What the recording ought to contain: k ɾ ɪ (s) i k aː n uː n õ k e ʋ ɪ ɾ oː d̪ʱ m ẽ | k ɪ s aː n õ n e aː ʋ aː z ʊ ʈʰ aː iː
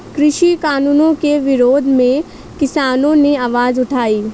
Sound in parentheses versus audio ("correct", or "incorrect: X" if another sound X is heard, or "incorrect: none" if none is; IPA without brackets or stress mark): incorrect: ʃ